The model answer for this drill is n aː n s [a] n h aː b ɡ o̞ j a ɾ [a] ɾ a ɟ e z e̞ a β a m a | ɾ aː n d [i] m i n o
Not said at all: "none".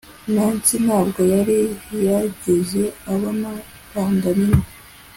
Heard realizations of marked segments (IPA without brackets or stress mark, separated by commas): i, i, a